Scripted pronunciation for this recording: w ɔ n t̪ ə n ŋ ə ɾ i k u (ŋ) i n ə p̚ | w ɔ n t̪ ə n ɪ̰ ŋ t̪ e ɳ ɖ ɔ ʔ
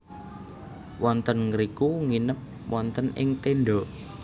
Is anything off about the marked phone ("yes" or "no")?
no